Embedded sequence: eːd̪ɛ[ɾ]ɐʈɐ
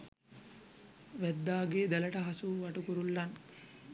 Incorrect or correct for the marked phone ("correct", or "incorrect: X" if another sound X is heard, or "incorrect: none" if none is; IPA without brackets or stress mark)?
incorrect: l